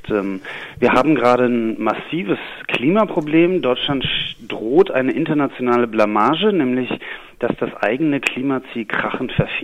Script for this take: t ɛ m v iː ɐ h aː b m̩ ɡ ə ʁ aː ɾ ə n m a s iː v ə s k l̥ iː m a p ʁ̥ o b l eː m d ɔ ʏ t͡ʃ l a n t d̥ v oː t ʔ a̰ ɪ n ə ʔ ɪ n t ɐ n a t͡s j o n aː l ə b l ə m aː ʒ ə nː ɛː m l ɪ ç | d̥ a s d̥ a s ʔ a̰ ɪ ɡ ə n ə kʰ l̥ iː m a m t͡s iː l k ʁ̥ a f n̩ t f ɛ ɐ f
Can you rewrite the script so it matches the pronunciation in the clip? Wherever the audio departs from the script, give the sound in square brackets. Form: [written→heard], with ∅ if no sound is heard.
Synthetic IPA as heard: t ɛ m v iː ɐ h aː b m̩ ɡ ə ʁ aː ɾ ə n m a s iː v ə s k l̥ iː m a p ʁ̥ o b l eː m d ɔ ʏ t͡ʃ l a n t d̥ [v→ʁ] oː t ʔ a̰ ɪ n ə ʔ ɪ n t ɐ n a t͡s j o n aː l ə b l [ə→a] m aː ʒ ə [nː→n] ɛː m l ɪ ç | d̥ a s d̥ a s ʔ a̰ ɪ ɡ ə n ə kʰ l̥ iː m a [m→∅] t͡s iː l k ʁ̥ a [f→χ] n̩ t f ɛ ɐ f